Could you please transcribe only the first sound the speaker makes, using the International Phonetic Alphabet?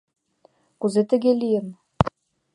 k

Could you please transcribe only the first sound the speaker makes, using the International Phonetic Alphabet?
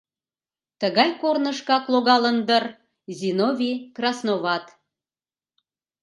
t̪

